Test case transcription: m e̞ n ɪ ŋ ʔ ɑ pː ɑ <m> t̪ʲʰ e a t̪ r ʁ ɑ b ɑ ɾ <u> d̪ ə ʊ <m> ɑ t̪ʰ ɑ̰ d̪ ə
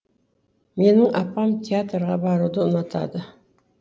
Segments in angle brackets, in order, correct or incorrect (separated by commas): correct, correct, incorrect